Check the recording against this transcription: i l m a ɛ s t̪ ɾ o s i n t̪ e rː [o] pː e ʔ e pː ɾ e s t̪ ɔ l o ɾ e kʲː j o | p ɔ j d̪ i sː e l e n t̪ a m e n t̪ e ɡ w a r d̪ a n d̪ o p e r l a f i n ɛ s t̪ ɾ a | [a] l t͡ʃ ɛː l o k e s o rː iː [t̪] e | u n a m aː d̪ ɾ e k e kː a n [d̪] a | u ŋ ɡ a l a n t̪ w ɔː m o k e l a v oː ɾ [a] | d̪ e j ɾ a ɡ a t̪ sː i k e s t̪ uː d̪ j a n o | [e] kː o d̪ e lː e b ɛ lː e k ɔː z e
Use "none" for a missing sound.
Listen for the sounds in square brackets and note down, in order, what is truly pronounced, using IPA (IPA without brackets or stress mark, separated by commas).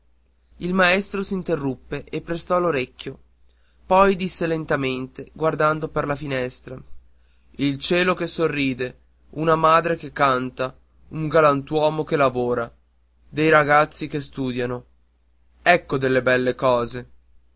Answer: u, i, d̪, t̪, a, ɛ